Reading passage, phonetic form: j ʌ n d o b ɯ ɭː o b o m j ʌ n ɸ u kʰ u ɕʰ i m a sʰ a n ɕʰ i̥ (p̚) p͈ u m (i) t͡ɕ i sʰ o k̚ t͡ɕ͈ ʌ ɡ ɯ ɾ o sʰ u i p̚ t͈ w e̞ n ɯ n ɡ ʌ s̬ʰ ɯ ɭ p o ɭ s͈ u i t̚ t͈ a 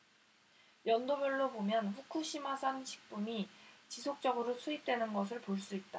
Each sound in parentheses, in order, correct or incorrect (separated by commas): incorrect, correct